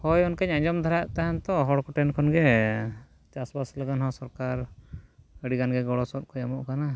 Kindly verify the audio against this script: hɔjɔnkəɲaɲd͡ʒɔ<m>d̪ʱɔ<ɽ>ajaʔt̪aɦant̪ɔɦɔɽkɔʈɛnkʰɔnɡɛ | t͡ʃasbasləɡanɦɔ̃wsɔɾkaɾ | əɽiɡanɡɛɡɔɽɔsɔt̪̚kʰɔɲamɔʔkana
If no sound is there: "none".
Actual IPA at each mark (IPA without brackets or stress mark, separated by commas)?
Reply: m, ɾ